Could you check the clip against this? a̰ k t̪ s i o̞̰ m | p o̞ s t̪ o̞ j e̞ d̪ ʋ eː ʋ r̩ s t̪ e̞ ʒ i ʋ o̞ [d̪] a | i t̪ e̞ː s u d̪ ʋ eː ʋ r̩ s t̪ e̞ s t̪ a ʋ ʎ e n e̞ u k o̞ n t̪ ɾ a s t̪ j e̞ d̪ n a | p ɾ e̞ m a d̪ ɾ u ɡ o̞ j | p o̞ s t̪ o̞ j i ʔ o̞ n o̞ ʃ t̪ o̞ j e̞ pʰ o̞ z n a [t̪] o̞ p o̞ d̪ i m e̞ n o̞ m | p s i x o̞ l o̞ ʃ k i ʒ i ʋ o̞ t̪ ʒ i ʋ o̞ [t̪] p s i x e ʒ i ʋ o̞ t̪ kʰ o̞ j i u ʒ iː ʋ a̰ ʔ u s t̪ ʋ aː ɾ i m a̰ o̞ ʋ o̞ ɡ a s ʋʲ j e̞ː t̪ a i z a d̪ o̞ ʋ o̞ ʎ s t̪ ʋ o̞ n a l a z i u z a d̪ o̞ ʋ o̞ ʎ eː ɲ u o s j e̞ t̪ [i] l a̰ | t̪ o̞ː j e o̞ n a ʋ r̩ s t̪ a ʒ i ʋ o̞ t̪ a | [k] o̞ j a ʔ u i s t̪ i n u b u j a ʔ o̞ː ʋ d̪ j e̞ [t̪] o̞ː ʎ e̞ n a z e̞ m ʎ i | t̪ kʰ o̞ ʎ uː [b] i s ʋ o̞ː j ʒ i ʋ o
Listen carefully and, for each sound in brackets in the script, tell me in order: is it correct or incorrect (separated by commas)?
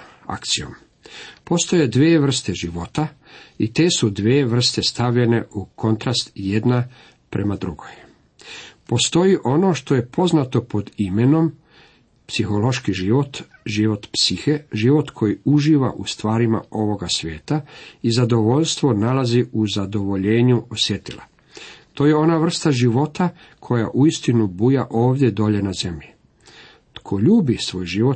incorrect, correct, correct, correct, incorrect, incorrect, correct